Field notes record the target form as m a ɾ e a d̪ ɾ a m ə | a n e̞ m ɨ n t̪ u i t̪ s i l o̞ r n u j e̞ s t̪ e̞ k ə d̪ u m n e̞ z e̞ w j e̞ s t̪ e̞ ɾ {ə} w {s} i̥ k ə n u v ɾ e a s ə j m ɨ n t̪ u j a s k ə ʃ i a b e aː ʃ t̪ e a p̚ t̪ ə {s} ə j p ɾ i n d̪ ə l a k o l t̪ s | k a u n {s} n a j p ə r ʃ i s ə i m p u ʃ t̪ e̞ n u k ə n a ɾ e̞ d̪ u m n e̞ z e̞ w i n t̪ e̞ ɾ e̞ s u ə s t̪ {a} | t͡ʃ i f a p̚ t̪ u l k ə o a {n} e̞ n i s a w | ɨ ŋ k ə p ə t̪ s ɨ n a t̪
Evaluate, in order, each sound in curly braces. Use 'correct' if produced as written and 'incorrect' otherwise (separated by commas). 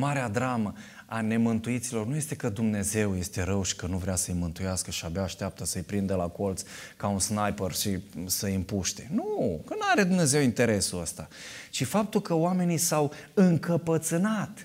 correct, incorrect, correct, correct, correct, incorrect